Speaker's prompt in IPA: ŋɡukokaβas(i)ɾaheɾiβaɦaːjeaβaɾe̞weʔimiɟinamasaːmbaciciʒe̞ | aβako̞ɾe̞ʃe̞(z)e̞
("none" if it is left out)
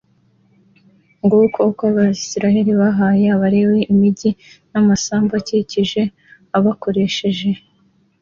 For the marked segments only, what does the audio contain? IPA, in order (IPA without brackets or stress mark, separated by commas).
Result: i, ʒ